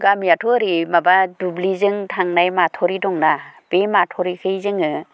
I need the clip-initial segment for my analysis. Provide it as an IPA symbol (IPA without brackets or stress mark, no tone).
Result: ɡ